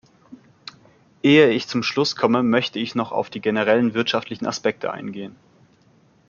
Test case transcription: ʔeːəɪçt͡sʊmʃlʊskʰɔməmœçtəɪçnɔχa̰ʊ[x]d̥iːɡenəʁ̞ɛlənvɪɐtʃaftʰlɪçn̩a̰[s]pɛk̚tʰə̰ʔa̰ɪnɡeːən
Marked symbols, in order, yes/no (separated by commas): no, yes